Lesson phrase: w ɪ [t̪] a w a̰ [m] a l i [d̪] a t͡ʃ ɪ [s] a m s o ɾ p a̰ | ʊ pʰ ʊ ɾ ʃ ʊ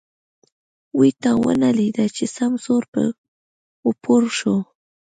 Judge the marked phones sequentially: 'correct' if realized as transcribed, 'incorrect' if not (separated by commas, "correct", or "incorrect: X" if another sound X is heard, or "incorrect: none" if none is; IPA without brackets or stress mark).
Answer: correct, incorrect: n, correct, correct